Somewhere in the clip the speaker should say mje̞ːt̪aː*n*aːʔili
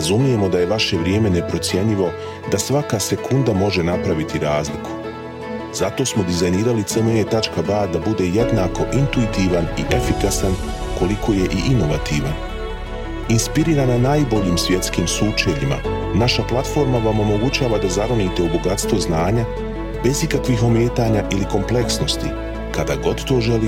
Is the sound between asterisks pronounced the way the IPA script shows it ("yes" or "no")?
no